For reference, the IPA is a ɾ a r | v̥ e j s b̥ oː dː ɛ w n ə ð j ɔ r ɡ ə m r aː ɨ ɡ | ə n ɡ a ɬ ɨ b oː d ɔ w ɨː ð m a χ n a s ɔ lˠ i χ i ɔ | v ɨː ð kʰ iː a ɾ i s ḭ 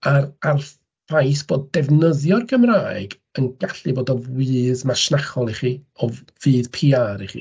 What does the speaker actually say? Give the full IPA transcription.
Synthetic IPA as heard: a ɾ a r | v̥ a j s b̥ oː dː ɛ v n ə ð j ɔ r ɡ ə m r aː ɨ ɡ | ə n ɡ a ɬ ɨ b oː d ɔ w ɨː ð m a ʃ n a χ ɔ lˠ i χ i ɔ | v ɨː ð pʰ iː a ɾ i χ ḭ